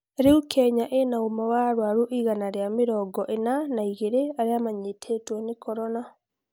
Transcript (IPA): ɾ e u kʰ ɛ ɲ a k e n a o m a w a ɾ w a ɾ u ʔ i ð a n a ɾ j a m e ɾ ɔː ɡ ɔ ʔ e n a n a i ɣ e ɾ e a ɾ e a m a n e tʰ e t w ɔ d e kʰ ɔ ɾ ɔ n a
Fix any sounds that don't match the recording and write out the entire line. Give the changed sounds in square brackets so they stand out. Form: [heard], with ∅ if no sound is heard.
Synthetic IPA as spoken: ɾ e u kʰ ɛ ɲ a [ʔ] e n a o m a w a ɾ w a ɾ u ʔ i [ɣ] a n a ɾ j a m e ɾ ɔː ɡ ɔ ʔ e n a n a i ɣ e ɾ e a ɾ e a m a [ɲ] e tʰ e t w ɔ [n] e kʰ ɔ ɾ ɔ n a